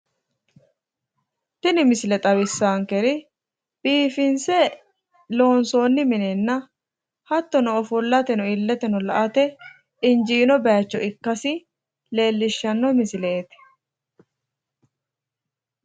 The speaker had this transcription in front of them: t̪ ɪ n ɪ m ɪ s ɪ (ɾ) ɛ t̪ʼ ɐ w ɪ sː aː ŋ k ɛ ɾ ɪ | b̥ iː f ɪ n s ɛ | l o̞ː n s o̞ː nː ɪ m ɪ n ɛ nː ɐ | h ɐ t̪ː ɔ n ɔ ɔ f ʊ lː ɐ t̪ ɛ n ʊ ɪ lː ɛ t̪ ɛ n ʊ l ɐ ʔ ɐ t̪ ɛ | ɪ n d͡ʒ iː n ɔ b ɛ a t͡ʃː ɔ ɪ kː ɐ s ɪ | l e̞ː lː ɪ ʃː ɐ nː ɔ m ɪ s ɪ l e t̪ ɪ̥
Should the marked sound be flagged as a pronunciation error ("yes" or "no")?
yes